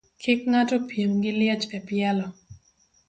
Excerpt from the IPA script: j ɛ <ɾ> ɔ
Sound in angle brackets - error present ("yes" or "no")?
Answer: yes